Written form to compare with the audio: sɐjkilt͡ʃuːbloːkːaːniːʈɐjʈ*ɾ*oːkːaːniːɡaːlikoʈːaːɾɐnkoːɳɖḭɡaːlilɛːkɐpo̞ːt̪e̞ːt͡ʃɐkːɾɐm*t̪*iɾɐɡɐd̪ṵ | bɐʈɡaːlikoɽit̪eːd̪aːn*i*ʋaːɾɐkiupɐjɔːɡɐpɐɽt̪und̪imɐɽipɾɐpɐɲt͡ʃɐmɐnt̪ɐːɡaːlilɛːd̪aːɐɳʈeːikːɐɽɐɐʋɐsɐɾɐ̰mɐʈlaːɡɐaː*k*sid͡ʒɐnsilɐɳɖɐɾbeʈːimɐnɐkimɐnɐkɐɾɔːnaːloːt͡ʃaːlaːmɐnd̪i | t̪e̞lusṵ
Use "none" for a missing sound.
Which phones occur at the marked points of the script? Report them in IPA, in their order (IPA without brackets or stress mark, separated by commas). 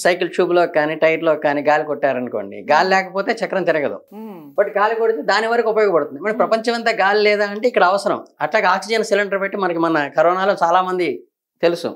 l, t̪, i, k